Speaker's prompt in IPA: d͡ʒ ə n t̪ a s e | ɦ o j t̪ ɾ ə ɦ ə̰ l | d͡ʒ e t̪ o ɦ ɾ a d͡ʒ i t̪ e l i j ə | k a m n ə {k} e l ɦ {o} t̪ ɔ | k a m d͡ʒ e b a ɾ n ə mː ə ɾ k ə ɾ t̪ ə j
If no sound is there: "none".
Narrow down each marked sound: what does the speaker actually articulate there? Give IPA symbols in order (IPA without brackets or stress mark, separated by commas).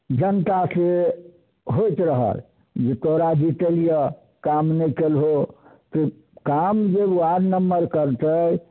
k, o